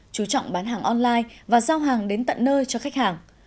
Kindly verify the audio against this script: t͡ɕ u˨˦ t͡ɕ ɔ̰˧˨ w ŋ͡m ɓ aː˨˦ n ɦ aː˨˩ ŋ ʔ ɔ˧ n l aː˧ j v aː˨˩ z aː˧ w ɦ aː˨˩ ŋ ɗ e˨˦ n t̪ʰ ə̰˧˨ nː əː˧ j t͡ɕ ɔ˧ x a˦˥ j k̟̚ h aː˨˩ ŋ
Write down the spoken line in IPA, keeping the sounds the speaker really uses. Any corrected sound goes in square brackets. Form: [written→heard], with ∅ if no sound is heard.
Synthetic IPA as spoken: t͡ɕ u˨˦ t͡ɕ ɔ̰˧˨ w ŋ͡m ɓ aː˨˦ n ɦ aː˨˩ ŋ ʔ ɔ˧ n l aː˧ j v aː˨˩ z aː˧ w ɦ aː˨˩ ŋ ɗ e˨˦ n [t̪ʰ→t̪] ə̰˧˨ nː əː˧ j t͡ɕ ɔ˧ x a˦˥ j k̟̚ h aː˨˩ ŋ